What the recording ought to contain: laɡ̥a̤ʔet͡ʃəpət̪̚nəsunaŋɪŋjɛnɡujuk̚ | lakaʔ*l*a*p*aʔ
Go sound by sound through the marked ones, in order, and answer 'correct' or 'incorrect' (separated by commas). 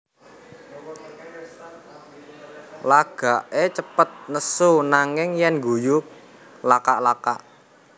correct, incorrect